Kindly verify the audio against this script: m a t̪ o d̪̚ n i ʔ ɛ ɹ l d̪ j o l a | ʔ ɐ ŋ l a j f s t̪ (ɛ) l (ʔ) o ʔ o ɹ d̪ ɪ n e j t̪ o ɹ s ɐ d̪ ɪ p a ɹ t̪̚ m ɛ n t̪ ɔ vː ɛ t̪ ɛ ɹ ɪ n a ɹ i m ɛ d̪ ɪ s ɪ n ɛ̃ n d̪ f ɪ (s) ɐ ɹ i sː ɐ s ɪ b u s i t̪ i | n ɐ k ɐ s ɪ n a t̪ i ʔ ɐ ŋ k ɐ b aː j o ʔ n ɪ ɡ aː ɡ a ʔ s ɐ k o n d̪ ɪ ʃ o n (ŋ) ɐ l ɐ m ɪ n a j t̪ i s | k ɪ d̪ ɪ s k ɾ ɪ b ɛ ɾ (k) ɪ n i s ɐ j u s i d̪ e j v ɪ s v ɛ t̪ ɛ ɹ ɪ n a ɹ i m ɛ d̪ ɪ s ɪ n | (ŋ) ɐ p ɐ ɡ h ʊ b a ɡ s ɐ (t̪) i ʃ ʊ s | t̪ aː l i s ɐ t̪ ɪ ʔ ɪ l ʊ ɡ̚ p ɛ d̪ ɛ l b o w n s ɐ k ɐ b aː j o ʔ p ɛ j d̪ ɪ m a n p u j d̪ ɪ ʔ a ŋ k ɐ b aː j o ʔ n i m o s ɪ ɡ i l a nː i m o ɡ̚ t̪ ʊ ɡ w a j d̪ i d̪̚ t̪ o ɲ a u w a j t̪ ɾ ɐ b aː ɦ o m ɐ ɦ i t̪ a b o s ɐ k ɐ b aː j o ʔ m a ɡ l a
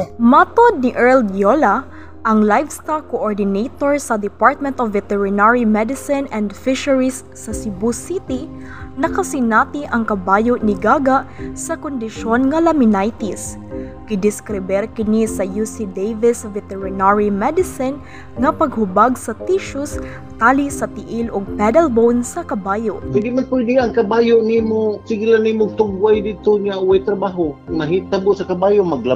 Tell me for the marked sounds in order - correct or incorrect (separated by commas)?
incorrect, incorrect, incorrect, correct, correct, correct, correct